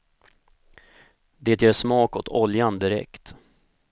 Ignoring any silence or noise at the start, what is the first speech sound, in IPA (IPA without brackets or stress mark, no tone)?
d̪